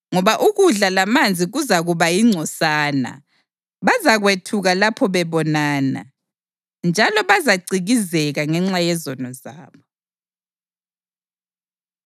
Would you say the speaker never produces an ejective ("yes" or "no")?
yes